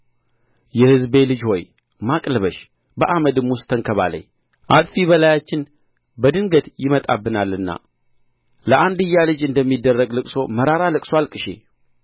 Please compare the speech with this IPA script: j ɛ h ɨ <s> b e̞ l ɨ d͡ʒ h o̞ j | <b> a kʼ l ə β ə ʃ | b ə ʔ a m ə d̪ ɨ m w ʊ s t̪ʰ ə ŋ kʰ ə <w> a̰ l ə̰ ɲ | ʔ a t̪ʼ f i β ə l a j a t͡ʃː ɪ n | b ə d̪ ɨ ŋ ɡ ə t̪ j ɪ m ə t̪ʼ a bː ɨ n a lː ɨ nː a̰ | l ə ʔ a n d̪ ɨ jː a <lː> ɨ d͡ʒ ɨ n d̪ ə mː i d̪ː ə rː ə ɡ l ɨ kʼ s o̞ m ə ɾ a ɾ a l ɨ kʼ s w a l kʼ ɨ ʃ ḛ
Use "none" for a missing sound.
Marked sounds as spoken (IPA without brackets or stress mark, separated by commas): z, m, β, l